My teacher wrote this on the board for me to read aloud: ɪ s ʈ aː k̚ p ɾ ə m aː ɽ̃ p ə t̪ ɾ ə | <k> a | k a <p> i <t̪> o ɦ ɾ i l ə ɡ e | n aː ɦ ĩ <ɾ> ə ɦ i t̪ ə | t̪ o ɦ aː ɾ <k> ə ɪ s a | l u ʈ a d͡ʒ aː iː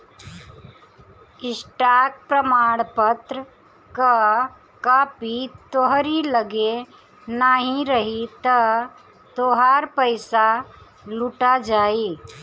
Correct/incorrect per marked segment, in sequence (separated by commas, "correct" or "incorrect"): correct, correct, correct, correct, incorrect